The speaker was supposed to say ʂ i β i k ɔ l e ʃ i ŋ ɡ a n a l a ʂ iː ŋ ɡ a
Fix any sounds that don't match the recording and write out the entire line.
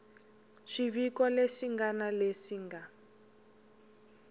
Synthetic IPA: ʃ i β i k ɔ l e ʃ i ŋ ɡ a n a l e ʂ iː ŋ ɡ a